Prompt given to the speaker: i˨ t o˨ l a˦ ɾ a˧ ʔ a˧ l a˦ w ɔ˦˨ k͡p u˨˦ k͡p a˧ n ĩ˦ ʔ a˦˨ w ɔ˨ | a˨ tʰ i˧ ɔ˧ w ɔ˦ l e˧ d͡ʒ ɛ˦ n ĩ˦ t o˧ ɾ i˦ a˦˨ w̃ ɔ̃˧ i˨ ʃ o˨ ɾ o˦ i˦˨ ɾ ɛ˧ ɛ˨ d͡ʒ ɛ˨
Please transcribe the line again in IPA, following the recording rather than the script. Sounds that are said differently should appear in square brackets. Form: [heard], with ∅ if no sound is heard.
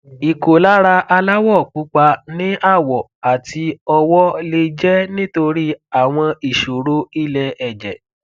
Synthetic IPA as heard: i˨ [k] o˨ l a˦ ɾ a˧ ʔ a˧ l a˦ w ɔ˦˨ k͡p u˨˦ k͡p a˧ n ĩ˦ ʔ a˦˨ w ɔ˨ | a˨ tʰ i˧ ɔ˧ w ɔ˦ l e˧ d͡ʒ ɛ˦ n ĩ˦ t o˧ ɾ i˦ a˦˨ w̃ ɔ̃˧ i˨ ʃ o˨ ɾ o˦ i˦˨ [l] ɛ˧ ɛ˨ d͡ʒ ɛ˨